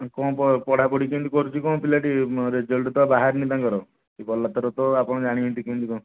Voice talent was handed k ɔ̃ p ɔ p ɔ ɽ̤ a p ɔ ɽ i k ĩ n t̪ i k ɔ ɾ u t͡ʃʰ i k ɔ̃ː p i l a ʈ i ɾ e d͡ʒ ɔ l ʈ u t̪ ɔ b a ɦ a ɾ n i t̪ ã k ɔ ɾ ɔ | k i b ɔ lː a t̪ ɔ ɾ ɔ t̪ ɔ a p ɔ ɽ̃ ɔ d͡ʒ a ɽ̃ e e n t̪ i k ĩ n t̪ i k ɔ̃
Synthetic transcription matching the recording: k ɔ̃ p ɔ p ɔ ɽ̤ a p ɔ ɽ i k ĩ n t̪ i k ɔ ɾ u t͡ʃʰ i k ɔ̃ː p i l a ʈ i ɾ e d͡ʒ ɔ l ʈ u t̪ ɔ b a ɦ a ɾ n i t̪ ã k ɔ ɾ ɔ | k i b ɔ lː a t̪ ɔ ɾ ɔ t̪ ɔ a p ɔ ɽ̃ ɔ d͡ʒ a ɽ̃ i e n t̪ i k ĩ n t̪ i k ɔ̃

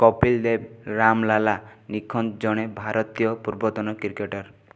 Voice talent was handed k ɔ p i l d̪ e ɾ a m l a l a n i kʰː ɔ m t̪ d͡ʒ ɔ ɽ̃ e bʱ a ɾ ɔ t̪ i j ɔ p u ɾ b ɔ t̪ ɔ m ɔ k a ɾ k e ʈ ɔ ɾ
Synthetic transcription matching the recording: k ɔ p i l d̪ e ɾ a m l a l a n i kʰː ɔ n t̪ d͡ʒ ɔ ɽ̃ e bʱ a ɾ ɔ t̪ i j ɔ p u ɾ b ɔ t̪ ɔ n ɔ k i ɾ k e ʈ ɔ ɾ

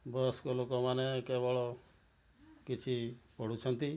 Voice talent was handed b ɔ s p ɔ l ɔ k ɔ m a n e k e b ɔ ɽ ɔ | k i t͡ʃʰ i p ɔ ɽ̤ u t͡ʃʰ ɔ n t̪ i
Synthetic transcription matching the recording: b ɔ s k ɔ l o k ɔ m a n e k e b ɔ ɭ ɔ | k i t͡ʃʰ i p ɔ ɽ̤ u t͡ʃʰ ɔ n t̪ i

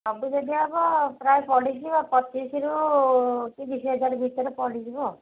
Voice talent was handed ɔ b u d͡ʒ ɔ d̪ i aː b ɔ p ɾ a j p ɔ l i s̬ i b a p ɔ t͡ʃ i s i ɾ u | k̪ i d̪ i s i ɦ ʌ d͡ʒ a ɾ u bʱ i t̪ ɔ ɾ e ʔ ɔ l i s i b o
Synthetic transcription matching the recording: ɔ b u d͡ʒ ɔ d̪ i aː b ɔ p ɾ a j p ɔ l i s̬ i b a p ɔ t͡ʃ i s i ɾ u | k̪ i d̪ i s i ɦ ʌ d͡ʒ a ɾ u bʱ i t̪ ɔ ɾ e p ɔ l i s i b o

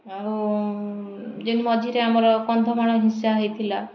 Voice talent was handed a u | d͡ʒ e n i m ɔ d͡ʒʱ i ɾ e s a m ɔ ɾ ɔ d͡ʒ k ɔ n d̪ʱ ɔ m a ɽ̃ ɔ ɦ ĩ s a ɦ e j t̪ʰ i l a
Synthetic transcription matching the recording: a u | d͡ʒ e n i m ɔ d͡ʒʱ i ɾ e a m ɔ ɾ ɔ k ɔ n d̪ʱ ɔ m a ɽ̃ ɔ ɦ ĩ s a ɦ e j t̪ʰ i l a

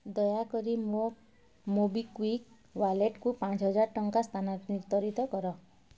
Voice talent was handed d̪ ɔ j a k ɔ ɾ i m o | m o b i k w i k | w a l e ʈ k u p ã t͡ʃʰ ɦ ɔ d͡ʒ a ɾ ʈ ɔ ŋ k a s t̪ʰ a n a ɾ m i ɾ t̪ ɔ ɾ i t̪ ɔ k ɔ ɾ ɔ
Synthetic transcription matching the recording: d̪ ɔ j a k ɔ ɾ i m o | m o b i k w i k | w a l e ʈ k u p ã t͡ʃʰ ɦ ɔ d͡ʒ a ɾ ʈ ɔ ŋ k a s t̪ʰ a n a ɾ n i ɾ t̪ ɔ ɾ i t̪ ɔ k ɔ ɾ ɔ

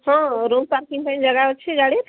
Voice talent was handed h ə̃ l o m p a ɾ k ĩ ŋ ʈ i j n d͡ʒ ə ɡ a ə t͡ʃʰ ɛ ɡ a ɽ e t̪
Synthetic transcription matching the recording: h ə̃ ɾ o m p a ɾ k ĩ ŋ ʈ a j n d͡ʒ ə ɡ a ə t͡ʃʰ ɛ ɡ a ɽ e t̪

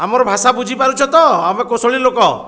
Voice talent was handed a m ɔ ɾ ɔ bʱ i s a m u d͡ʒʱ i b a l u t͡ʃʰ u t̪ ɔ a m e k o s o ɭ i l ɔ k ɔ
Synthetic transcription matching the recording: a m ɔ ɾ ɔ bʱ a s a b u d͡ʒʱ i p a ɾ u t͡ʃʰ ɔ t̪ ɔ a m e k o s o ɭ i l o k ɔ

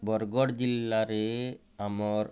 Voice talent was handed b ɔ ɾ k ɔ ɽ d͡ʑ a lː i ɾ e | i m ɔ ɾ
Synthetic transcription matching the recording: b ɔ ɾ ɡ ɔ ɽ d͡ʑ i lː a ɾ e | a m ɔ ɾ

